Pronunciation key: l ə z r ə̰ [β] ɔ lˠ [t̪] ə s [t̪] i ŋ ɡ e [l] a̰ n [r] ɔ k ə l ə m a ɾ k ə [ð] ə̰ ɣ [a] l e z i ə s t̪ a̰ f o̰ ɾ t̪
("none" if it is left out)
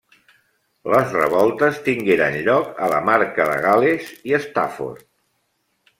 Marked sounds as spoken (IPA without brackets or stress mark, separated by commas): β, t̪, t̪, ɾ, ʎ, ð, a